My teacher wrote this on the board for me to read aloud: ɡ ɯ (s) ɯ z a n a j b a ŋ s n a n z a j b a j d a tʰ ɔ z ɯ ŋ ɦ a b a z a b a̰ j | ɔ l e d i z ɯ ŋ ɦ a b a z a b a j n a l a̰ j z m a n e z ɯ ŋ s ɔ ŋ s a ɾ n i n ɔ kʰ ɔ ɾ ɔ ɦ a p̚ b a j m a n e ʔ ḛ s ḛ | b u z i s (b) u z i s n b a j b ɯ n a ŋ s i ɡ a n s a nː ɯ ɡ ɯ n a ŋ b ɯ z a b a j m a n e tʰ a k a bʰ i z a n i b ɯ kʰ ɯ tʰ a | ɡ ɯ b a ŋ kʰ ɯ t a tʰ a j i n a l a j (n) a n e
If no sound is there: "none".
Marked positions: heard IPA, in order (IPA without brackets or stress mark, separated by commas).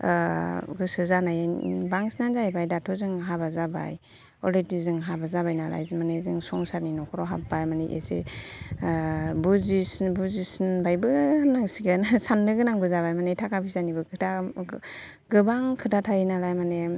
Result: s, b, m